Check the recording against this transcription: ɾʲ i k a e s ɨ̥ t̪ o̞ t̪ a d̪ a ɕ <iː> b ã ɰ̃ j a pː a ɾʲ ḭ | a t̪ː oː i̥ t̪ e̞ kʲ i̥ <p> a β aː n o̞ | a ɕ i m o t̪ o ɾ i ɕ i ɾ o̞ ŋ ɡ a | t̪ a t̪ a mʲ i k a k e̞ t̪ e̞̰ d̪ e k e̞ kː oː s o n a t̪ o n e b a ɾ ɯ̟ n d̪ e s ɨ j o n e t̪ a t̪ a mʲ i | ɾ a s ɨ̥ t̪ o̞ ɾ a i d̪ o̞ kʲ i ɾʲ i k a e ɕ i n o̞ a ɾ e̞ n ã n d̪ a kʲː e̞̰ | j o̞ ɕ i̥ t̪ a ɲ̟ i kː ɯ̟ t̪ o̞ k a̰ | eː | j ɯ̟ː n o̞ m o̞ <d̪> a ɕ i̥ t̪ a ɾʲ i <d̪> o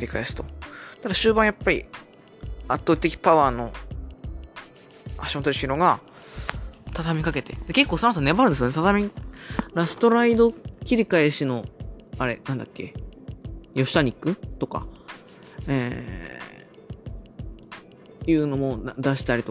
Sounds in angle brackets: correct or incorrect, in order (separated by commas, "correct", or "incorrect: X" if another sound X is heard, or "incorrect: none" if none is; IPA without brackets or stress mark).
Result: incorrect: ɨː, correct, correct, incorrect: t̪